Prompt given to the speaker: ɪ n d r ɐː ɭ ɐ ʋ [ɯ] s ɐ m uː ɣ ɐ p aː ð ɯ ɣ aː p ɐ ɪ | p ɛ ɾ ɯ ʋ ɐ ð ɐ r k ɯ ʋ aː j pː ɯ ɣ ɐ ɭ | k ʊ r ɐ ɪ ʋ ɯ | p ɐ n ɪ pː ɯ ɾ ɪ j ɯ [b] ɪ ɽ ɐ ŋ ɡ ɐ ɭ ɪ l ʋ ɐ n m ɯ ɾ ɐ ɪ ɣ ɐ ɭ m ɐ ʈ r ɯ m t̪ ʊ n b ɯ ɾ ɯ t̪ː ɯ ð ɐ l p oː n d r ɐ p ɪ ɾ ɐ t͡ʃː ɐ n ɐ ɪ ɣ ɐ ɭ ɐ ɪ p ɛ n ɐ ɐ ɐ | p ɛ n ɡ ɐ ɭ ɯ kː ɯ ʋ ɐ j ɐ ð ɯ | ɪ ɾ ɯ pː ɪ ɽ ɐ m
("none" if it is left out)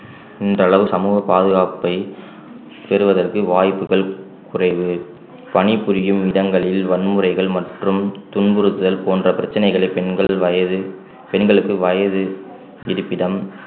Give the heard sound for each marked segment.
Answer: ɯ, m

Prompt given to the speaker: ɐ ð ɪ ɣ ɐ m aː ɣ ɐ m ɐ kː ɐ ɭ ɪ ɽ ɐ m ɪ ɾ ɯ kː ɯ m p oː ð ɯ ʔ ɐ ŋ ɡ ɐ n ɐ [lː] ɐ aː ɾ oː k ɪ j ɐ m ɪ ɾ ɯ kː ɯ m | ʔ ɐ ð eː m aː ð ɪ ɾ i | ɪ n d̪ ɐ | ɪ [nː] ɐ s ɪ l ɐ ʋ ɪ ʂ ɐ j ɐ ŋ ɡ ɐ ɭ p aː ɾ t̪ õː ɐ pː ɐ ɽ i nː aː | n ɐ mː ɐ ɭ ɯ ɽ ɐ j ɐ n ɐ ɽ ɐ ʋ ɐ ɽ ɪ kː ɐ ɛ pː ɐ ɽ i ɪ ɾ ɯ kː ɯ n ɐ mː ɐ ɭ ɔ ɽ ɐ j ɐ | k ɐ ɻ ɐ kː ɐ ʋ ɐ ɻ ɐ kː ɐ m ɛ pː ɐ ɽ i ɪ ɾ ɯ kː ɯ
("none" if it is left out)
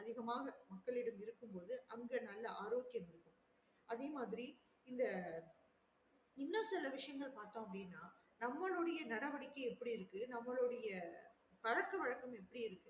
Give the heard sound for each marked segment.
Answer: lː, nː

